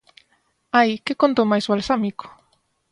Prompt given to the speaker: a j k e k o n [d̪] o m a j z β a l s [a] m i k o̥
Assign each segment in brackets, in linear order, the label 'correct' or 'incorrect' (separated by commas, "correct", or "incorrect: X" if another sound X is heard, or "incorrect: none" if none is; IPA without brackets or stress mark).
incorrect: t̪, correct